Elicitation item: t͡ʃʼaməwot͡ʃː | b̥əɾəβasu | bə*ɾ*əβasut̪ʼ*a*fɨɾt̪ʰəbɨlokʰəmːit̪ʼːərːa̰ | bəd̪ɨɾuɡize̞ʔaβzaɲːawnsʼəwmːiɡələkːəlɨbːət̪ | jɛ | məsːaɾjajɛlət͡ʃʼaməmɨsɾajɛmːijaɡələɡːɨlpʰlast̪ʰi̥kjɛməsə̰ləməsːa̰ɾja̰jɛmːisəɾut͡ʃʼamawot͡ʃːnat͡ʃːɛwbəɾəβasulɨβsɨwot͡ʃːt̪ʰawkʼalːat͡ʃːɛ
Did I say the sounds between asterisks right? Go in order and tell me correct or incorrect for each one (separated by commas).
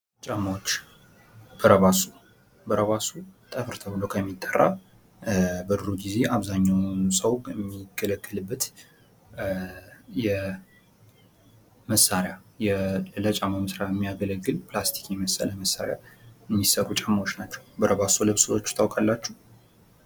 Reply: correct, incorrect